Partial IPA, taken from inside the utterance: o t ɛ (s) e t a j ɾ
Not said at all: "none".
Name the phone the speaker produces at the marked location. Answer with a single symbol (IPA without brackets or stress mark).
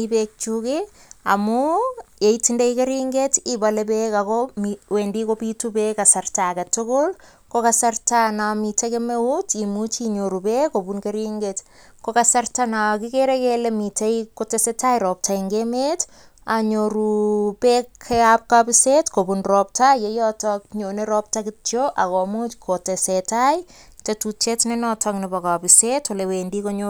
s